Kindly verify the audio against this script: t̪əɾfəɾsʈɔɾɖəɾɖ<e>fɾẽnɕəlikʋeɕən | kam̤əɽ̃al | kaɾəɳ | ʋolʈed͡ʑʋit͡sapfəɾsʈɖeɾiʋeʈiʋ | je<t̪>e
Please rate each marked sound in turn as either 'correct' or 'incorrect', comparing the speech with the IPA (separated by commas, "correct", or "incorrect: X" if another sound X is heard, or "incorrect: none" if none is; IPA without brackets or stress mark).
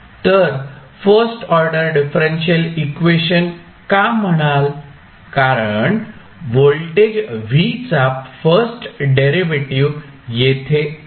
incorrect: i, incorrect: t̪ʰ